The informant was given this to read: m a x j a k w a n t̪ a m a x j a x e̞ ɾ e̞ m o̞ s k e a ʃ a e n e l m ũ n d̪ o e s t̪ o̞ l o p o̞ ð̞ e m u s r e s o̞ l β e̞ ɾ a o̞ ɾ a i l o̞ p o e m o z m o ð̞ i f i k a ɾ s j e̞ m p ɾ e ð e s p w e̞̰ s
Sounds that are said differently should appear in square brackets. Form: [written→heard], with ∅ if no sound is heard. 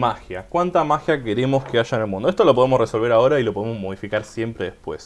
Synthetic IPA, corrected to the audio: m a x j a k w a n t̪ a m a x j a [x→k] e̞ ɾ e̞ m o̞ s k e a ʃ a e n e l m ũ n d̪ o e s t̪ o̞ l o p o̞ ð̞ e m [u→o] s r e s o̞ l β e̞ ɾ a o̞ ɾ a i l o̞ p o e m o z m o ð̞ i f i k a ɾ s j e̞ m p ɾ e ð e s p w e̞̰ s